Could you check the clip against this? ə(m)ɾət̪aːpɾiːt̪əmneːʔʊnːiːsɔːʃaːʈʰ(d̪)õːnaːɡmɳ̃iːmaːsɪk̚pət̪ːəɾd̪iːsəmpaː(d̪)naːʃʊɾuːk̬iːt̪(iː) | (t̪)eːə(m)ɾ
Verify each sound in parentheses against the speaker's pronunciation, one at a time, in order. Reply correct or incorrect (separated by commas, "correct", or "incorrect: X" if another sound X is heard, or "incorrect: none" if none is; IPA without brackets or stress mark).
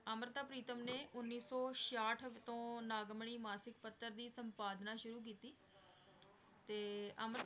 correct, incorrect: t̪, correct, correct, correct, correct